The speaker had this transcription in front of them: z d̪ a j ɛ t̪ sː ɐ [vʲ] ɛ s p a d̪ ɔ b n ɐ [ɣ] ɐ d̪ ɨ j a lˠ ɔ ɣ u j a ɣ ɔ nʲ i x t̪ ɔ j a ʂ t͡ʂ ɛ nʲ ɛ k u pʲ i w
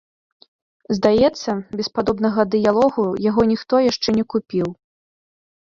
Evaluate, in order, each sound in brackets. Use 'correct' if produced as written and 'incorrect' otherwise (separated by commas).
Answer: incorrect, correct